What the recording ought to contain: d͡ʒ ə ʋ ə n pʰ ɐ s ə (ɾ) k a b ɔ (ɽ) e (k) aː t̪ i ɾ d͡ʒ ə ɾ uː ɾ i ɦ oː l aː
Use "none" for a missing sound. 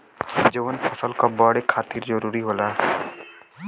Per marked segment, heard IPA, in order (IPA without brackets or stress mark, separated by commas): l, ɽ, kʰ